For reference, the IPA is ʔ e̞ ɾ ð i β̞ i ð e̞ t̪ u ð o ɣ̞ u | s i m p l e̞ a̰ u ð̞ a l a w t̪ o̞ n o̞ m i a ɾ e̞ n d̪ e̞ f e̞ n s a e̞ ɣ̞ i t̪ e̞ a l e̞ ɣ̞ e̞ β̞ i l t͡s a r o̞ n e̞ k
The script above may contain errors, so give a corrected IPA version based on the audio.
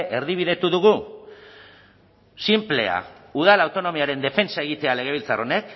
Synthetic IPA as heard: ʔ e̞ ɾ ð i β̞ i ð e̞ t̪ u ð u ɣ̞ u | s i m p l e̞ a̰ u ð̞ a l a w t̪ o̞ n o̞ m i a ɾ e̞ n d̪ e̞ f e̞ n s a e̞ ɣ̞ i t̪ e̞ a l e̞ ɣ̞ e̞ β̞ i l t͡s a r o̞ n e̞ k